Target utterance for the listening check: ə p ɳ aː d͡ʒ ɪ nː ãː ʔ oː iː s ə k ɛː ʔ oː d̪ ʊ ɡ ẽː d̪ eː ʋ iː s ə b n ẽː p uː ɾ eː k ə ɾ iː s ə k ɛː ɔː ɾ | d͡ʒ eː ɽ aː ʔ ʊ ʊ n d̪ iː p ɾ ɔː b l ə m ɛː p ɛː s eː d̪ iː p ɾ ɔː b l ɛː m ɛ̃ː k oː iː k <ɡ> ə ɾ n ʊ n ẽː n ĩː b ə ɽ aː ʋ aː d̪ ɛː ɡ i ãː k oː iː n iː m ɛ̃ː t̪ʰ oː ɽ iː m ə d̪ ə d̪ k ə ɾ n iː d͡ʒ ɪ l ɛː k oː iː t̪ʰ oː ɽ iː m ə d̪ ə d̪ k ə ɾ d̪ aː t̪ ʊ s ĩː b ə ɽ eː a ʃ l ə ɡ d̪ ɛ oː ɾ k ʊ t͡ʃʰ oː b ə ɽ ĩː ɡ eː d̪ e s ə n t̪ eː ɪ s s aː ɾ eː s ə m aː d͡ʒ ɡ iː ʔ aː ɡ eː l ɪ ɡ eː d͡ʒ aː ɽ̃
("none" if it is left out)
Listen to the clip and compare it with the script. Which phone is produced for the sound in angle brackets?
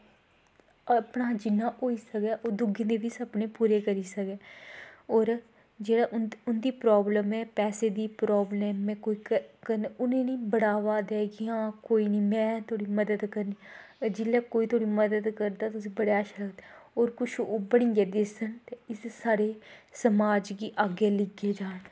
k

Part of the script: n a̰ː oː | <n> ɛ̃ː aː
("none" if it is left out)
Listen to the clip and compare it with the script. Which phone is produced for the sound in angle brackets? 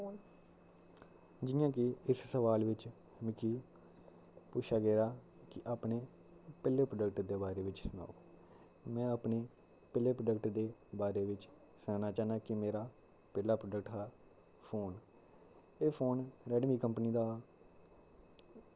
m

